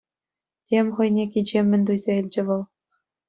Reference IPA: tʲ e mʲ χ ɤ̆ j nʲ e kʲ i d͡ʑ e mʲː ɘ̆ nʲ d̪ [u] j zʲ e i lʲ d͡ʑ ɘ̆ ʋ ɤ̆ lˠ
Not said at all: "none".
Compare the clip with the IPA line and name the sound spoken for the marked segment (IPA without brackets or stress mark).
u